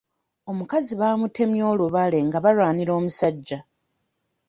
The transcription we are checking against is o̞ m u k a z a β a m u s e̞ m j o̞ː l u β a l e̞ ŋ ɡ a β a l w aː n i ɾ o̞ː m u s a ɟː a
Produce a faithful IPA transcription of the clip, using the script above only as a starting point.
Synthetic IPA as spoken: o̞ m u k a z i β a m u t e̞ m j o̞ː l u β a l e̞ ŋ ɡ a β a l w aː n i ɾ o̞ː m u s a ɟː a